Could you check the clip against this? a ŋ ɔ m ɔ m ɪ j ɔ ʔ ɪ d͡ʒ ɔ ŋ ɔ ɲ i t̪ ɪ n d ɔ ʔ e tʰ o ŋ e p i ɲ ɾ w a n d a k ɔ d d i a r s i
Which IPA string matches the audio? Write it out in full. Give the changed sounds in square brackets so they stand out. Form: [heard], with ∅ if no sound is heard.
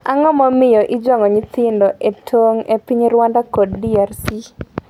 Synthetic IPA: a ŋ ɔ m ɔ m ɪ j ɔ ʔ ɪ d͡ʒ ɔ ŋ ɔ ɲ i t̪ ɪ n d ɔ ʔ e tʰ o ŋ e p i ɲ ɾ w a n d a k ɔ d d i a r s i